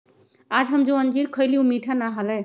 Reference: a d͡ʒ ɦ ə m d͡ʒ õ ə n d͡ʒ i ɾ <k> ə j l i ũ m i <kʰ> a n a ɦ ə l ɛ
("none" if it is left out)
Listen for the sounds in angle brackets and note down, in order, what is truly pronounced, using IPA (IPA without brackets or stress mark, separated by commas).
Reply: kʰ, ʈʰ